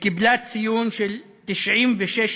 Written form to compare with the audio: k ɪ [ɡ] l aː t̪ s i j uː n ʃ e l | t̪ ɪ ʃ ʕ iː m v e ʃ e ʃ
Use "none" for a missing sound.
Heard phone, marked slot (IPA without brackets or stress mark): b